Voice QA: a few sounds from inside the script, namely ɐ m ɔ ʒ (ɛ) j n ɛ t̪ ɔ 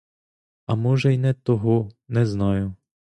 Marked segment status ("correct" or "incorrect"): correct